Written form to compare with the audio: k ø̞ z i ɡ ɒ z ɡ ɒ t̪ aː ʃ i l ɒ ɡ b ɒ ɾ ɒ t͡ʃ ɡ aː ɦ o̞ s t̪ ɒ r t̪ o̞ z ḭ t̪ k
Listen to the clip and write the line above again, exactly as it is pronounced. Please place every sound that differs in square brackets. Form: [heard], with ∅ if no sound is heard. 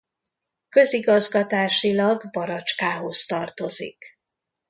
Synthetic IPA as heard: k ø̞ z i ɡ ɒ z ɡ ɒ t̪ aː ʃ i l ɒ ɡ b ɒ ɾ ɒ t͡ʃ [k] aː ɦ o̞ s t̪ ɒ r t̪ o̞ z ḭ [∅] k